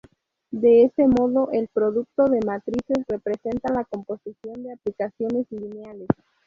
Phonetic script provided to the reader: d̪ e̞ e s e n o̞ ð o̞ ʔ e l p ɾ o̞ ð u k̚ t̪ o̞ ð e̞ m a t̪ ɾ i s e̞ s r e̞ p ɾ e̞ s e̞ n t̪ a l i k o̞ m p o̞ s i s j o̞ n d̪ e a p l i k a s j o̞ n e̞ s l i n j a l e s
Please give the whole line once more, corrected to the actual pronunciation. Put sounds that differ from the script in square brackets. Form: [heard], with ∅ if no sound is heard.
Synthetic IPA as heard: d̪ e̞ e s e [m] o̞ ð o̞ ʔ e l p ɾ o̞ ð u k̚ t̪ o̞ ð e̞ m a t̪ ɾ i s e̞ s r e̞ p ɾ e̞ s e̞ n t̪ a l [a] k o̞ m p o̞ s i s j o̞ n d̪ e a p l i k a s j o̞ n e̞ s l i n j a l e s